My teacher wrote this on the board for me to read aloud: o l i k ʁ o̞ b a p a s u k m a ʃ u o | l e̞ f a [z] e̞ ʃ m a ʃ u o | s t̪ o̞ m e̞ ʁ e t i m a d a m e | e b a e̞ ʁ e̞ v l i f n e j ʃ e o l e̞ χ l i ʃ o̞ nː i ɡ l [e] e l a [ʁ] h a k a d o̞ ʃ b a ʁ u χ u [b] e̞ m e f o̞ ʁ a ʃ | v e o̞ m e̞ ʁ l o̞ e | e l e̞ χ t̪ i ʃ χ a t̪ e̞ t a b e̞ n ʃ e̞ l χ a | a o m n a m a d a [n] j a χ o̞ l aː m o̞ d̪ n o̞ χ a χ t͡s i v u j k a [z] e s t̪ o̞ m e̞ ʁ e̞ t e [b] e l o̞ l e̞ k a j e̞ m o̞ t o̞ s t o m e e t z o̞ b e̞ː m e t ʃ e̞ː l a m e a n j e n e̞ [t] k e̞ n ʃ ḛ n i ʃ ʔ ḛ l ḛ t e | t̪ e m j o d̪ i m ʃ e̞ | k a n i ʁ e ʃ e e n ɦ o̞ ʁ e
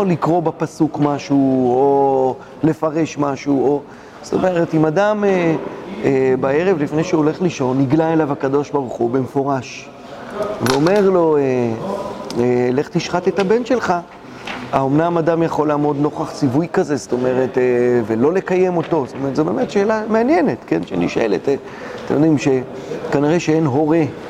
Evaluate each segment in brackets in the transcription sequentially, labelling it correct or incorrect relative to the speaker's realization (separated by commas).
incorrect, incorrect, incorrect, correct, incorrect, correct, incorrect, correct